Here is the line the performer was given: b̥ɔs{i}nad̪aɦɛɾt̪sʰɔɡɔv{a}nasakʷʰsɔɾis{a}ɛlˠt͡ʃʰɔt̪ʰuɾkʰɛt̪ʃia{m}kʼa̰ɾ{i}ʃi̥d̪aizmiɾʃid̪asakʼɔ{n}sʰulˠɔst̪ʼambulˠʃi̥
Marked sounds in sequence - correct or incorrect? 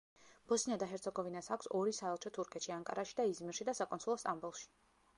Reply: correct, incorrect: i, correct, incorrect: ŋ, incorrect: a, correct

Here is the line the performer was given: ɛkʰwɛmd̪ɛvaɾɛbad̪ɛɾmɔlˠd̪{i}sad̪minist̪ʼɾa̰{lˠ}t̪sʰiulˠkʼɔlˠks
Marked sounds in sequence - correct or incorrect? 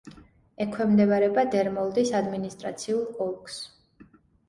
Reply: correct, incorrect: none

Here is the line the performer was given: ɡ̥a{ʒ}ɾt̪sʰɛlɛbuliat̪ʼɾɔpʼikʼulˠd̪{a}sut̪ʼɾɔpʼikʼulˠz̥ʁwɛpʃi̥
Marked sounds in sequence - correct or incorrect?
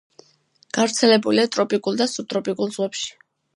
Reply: incorrect: v, correct

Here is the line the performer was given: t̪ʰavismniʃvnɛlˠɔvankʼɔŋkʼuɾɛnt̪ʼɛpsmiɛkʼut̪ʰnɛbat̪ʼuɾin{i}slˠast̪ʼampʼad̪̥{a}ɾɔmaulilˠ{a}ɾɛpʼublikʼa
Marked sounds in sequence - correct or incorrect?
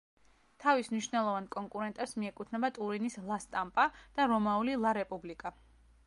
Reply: correct, correct, correct

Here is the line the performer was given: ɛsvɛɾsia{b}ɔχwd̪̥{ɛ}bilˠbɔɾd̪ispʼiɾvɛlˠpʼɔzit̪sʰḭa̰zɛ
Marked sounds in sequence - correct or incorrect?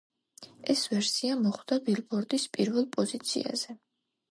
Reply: incorrect: m, incorrect: a

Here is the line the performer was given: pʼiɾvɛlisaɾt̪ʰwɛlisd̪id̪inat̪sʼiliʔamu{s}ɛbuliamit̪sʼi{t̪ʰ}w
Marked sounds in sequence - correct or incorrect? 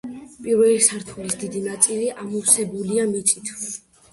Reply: correct, correct

